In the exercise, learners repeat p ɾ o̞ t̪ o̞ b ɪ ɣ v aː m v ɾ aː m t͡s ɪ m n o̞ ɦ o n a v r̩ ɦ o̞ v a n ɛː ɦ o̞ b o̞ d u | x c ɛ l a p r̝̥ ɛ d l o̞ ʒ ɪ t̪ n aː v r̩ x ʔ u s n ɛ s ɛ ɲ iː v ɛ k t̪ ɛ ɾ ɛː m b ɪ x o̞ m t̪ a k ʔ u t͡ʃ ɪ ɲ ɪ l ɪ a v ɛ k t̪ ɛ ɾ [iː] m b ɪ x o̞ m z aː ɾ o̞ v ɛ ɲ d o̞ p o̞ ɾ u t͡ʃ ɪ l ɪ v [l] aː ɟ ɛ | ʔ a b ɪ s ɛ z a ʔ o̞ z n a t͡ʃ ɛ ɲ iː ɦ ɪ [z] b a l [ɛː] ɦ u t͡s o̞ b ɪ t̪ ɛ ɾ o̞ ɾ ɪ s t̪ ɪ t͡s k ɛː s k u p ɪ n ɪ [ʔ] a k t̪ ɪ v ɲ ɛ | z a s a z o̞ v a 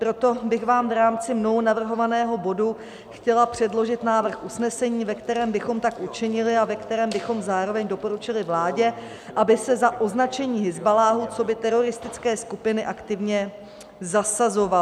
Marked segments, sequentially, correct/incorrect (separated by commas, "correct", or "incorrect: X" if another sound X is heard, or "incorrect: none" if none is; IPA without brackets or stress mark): incorrect: ɛː, correct, correct, incorrect: aː, correct